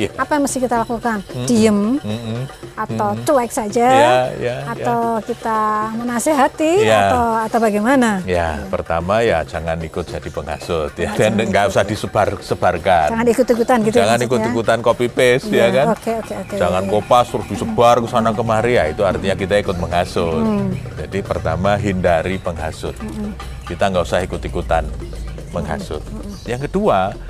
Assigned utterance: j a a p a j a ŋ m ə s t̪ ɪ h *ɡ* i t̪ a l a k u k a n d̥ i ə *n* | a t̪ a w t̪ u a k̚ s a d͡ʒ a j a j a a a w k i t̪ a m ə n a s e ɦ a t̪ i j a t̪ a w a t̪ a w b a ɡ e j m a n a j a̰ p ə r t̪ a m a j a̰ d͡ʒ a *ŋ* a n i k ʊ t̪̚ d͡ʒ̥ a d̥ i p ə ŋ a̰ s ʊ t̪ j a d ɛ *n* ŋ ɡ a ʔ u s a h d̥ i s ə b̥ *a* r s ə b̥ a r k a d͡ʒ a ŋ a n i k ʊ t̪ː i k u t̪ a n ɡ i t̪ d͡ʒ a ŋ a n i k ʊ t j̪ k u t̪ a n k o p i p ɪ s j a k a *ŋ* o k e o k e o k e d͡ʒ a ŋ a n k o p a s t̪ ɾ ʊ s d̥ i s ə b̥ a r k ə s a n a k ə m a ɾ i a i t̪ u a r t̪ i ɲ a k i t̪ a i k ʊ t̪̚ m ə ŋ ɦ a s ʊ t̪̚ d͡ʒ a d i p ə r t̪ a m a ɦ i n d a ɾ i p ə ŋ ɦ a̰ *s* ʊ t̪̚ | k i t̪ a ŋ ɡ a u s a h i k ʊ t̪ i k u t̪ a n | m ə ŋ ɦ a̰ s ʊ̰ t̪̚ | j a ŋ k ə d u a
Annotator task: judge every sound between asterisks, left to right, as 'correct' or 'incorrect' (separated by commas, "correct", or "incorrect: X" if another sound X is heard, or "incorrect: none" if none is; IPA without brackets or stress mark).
incorrect: k, incorrect: m, correct, correct, correct, incorrect: n, correct